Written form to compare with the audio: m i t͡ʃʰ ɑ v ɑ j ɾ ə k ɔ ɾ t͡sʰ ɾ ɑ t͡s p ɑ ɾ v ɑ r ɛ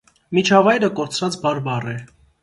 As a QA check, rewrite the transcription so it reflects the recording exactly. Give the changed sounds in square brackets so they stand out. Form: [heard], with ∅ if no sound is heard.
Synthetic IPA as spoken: m i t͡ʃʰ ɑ v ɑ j ɾ ə k ɔ ɾ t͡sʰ ɾ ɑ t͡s [b] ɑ ɾ [b] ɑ r ɛ